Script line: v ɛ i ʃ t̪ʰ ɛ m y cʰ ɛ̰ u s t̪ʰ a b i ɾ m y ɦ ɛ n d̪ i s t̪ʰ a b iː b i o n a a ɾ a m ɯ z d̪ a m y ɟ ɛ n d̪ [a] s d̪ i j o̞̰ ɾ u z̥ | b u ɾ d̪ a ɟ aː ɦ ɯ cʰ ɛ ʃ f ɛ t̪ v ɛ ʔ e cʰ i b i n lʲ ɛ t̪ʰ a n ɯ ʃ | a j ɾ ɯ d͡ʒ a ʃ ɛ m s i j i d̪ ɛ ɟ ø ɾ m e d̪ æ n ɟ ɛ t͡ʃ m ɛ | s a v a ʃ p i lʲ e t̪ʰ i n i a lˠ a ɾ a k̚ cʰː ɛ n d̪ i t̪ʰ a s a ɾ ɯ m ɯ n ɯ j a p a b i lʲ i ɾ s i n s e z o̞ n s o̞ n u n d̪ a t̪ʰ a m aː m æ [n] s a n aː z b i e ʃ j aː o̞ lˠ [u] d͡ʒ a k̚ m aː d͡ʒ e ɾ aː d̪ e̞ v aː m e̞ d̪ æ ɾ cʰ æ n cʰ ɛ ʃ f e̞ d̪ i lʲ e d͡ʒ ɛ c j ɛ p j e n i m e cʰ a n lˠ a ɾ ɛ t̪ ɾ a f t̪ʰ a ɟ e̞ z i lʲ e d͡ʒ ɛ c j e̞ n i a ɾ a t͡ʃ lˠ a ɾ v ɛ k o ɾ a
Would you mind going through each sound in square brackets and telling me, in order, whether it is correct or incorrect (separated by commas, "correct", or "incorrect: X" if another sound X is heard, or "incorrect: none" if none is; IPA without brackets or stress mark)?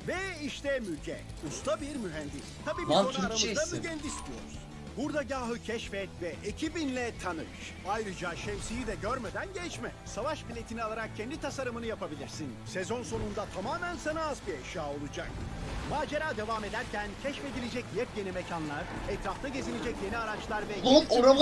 incorrect: i, correct, correct